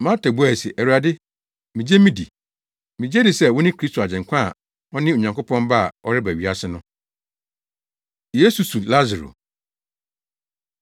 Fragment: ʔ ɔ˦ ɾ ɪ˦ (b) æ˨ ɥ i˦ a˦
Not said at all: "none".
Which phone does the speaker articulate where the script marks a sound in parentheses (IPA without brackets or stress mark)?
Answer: b